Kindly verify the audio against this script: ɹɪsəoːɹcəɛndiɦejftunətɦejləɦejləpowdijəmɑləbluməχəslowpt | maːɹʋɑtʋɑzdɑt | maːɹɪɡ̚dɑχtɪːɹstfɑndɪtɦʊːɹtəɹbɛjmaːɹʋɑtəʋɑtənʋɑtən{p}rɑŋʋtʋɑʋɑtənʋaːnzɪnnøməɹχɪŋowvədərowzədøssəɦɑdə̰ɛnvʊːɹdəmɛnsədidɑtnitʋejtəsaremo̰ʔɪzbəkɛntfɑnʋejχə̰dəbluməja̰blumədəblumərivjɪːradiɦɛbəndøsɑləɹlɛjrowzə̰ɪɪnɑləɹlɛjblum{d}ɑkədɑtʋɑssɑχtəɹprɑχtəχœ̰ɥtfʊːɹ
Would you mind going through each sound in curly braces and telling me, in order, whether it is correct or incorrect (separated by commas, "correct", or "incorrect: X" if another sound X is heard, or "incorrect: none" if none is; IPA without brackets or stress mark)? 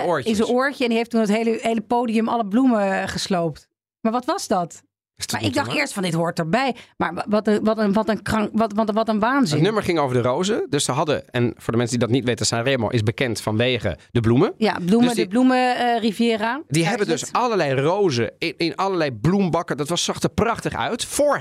incorrect: k, incorrect: b